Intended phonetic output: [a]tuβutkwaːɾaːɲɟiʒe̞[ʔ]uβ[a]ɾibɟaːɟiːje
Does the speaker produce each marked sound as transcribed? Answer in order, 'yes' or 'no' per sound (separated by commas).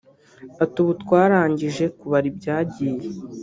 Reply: yes, no, yes